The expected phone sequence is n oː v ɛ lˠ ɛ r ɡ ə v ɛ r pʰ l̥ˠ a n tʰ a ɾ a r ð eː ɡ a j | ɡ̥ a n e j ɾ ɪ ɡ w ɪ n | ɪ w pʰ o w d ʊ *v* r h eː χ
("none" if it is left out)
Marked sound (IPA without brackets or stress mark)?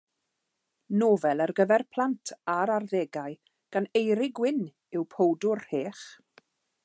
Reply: none